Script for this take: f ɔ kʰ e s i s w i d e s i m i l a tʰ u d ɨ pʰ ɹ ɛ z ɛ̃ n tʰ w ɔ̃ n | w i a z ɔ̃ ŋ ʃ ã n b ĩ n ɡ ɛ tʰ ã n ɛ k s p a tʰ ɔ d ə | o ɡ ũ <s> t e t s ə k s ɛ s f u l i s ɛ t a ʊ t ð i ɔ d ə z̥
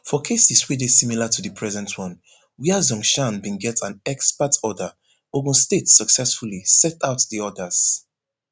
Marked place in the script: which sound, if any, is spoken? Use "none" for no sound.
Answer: s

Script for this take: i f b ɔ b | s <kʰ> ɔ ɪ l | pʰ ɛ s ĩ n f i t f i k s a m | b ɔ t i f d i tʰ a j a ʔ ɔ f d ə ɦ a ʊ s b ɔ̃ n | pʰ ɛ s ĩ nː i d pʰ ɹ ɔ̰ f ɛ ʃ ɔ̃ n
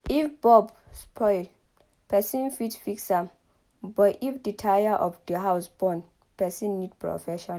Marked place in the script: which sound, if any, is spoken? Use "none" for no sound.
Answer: pʰ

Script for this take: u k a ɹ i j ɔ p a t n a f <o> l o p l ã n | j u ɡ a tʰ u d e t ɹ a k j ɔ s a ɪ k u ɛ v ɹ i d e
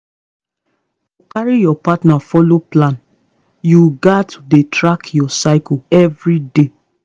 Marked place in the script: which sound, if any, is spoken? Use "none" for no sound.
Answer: ɔ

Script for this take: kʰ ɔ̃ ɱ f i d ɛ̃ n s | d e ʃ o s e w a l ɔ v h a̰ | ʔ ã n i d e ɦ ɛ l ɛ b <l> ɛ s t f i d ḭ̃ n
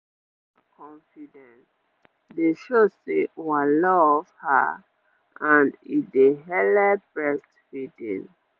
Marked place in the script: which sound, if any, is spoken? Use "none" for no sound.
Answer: ɹ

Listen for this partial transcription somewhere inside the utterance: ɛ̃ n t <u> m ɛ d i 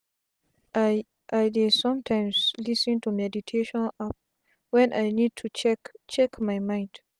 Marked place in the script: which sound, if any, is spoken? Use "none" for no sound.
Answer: u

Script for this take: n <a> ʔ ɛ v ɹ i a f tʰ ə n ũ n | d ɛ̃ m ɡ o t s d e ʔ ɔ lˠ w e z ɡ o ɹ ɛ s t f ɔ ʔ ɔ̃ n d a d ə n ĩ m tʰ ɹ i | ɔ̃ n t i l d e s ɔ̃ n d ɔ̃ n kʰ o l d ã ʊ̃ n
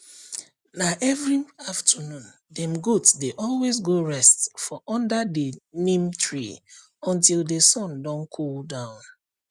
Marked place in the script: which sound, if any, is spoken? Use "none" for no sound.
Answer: a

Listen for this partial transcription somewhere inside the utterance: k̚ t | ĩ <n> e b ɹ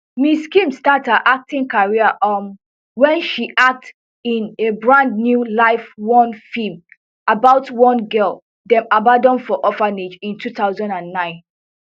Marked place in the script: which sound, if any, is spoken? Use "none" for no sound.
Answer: n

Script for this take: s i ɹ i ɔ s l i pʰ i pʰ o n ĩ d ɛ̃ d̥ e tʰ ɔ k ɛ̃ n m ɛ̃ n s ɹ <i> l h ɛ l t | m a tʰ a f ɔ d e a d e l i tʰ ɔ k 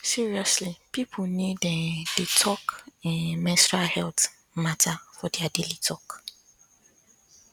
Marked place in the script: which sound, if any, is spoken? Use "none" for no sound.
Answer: a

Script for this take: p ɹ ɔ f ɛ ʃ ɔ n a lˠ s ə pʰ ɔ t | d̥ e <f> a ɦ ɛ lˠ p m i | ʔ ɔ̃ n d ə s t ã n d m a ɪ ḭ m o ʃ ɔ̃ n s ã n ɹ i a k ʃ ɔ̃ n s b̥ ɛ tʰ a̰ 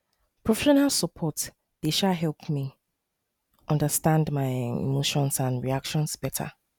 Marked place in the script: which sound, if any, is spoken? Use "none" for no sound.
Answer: ʃ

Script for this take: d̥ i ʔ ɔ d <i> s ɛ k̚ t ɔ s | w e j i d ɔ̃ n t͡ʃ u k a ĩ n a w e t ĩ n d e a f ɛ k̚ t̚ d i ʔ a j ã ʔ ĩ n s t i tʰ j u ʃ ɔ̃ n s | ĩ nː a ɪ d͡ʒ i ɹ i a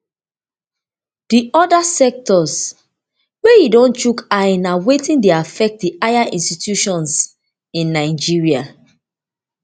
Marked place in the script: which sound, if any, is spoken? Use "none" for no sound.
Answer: a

